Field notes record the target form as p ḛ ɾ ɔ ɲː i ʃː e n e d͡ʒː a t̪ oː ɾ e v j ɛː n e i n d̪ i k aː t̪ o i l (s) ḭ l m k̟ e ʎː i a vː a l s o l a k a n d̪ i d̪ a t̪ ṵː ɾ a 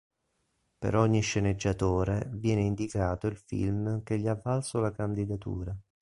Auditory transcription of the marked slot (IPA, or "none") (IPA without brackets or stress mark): f